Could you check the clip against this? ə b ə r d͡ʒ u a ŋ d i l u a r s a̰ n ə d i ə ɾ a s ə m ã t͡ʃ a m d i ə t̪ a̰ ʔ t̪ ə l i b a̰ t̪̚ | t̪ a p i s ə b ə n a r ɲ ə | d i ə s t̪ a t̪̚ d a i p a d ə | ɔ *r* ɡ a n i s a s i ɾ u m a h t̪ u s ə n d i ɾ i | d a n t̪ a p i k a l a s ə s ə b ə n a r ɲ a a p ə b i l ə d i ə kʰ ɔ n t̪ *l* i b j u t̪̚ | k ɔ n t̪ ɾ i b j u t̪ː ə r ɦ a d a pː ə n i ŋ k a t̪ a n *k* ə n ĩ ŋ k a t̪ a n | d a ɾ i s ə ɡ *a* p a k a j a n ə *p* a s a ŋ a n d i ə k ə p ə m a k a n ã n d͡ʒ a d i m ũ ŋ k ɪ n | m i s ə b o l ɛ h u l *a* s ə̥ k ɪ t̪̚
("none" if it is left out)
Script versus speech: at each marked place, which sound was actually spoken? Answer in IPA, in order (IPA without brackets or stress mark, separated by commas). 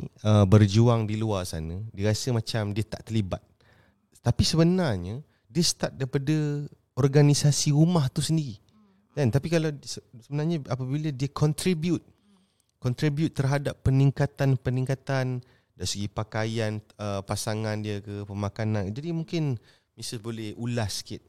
r, ɾ, p, i, p, a